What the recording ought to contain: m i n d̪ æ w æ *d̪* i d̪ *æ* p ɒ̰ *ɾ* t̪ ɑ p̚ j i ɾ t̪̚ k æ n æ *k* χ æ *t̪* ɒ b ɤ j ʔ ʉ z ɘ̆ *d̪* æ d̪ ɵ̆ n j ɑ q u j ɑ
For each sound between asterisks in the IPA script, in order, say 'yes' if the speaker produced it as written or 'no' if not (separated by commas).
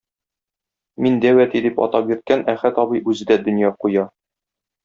no, no, no, no, yes, yes